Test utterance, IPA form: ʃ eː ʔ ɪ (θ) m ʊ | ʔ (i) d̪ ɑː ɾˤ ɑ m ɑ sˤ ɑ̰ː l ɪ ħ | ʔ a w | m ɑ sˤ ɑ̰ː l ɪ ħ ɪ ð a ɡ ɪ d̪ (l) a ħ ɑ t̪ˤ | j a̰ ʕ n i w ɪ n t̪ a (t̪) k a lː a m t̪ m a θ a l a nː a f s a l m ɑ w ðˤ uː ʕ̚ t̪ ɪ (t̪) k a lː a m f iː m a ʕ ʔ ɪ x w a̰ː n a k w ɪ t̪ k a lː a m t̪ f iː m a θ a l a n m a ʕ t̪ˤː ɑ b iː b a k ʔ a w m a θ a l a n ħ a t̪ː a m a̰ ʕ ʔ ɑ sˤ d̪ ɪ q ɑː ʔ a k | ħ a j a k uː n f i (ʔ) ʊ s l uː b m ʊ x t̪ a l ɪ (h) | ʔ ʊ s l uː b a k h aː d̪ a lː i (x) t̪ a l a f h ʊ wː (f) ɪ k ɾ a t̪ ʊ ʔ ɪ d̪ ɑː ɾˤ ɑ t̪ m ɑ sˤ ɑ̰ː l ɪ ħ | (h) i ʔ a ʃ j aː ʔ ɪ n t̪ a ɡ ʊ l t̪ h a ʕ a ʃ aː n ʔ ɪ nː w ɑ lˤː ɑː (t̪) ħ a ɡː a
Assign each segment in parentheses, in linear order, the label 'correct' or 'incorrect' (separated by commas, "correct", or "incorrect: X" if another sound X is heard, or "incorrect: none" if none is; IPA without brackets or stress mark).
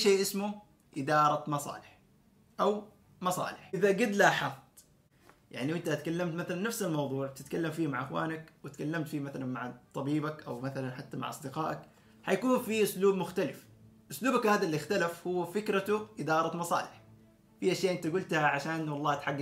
incorrect: s, incorrect: ɪ, correct, correct, correct, correct, incorrect: f, correct, correct, incorrect: f, correct